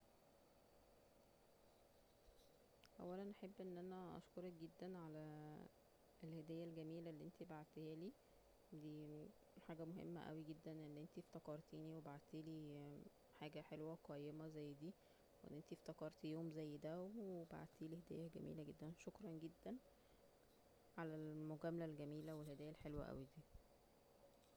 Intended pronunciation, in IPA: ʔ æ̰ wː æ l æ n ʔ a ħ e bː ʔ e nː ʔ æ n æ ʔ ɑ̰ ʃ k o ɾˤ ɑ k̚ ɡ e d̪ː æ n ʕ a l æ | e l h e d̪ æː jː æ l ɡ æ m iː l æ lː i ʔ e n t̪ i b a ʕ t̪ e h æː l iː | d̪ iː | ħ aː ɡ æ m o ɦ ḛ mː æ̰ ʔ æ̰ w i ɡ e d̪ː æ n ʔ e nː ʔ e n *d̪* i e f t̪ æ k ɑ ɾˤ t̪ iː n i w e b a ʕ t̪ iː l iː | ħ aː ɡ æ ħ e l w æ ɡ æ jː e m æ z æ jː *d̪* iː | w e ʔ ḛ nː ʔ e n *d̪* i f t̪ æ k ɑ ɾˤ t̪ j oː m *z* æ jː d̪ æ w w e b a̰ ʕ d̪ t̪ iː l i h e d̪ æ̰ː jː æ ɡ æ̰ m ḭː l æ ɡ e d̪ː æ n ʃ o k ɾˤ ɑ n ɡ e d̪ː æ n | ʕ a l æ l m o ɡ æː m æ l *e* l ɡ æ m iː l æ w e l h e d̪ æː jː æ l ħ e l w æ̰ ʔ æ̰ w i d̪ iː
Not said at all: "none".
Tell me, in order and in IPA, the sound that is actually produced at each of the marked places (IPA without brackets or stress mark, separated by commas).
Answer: t̪, d̪, t̪, z, æ